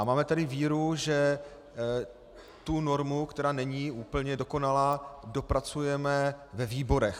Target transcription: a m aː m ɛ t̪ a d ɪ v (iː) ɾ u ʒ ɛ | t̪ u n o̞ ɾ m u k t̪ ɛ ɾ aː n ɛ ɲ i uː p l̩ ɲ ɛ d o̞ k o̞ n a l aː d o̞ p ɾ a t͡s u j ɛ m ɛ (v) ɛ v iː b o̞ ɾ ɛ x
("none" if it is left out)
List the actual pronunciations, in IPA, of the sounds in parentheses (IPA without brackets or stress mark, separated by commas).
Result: iː, v